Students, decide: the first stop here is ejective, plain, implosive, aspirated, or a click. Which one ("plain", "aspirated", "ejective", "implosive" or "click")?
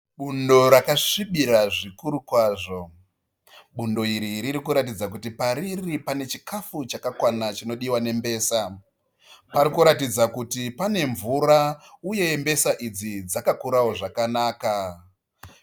implosive